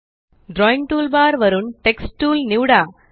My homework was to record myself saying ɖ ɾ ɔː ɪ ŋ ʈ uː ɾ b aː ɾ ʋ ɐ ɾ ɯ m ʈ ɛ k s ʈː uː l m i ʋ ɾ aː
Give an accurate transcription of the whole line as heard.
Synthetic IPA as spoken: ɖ ɾ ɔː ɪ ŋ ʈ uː l b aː ɾ ʋ ɐ ɾ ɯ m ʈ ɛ k s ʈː uː l n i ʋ ɽ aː